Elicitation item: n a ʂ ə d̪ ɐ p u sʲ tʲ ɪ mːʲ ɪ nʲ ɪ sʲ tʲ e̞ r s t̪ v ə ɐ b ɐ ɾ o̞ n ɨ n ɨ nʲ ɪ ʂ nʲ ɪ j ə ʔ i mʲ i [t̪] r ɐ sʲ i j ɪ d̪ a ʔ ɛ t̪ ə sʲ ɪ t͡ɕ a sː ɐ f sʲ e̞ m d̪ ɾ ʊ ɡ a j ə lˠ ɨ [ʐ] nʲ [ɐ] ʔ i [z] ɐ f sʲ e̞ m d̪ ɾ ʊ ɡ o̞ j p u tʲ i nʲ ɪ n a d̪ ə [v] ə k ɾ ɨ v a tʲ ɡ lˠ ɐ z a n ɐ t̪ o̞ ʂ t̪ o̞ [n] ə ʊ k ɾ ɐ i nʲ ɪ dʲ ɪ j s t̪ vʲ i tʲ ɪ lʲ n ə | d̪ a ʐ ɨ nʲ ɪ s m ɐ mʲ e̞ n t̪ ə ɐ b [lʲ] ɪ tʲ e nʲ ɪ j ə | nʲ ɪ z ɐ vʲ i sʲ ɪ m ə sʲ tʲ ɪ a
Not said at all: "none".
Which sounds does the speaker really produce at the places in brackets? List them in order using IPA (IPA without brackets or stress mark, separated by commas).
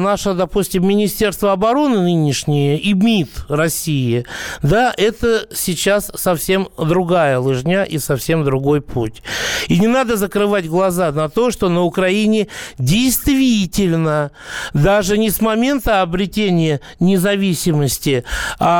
t̪, ʐ, a, s, z, n, ɾʲ